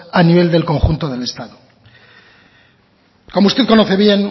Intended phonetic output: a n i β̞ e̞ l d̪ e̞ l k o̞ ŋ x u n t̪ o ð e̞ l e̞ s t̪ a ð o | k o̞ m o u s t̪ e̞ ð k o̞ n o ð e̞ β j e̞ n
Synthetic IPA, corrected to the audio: a n i β̞ e̞ l d̪ e̞ l k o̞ ŋ x u n t̪ o ð e̞ l e̞ s t̪ a ð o | k o̞ m o u s t̪ e̞ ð k o̞ n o θ e̞ β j e̞ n